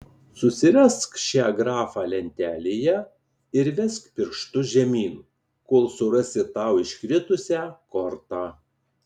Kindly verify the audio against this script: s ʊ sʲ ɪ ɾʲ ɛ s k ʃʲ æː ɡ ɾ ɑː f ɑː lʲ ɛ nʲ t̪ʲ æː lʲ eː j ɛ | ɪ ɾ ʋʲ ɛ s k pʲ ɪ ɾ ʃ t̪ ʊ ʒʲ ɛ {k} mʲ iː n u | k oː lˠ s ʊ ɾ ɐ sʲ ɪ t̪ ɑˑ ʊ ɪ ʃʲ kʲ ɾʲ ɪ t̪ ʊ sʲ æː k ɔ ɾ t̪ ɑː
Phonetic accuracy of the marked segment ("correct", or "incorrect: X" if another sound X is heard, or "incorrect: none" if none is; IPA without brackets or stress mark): incorrect: none